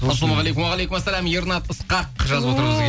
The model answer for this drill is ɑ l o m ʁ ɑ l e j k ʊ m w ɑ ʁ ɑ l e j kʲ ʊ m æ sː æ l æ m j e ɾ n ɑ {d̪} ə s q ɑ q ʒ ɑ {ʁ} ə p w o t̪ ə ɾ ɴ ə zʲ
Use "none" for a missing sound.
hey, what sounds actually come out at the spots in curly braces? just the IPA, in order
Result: t̪, z

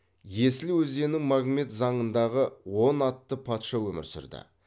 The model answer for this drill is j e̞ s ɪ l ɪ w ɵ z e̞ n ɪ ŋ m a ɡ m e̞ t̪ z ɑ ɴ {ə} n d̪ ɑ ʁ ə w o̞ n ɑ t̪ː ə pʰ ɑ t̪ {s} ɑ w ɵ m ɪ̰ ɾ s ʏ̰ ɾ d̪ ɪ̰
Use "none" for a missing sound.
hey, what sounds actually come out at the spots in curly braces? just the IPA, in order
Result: ə, ʃ

